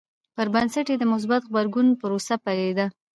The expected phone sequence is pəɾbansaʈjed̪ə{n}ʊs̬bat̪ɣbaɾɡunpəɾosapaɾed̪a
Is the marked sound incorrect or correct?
incorrect: m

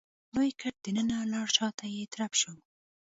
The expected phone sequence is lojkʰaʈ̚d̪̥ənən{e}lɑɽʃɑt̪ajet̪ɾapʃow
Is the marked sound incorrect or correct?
incorrect: a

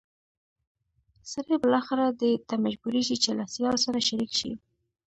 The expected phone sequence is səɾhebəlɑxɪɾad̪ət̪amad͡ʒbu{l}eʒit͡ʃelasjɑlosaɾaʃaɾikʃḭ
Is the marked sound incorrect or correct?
incorrect: ɾ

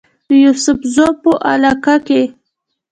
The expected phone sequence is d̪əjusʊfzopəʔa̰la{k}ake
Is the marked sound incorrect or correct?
correct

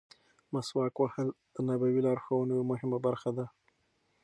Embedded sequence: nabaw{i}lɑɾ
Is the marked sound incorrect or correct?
correct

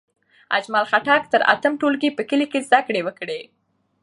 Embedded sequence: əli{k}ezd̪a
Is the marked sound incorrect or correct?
correct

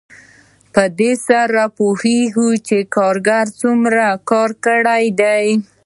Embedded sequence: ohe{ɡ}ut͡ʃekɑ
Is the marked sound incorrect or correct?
correct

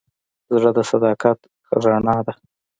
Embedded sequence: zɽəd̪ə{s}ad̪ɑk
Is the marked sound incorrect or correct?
correct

